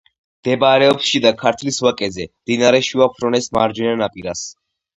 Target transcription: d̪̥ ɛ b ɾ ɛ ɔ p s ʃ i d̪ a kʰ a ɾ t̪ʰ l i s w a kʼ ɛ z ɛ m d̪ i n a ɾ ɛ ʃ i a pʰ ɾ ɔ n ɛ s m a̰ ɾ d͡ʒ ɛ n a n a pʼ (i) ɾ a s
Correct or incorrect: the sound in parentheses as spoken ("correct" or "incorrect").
correct